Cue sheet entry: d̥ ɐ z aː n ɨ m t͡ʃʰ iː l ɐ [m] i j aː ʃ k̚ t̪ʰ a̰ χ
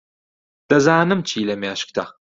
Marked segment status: correct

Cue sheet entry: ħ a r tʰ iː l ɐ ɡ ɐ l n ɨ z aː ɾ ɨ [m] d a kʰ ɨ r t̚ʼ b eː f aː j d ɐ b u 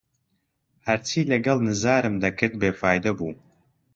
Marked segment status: correct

